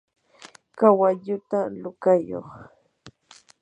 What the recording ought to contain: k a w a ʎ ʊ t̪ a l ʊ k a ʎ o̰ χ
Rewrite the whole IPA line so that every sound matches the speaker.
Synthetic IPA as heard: k a w a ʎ ʊ t̪ a l ʊ k a j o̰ χ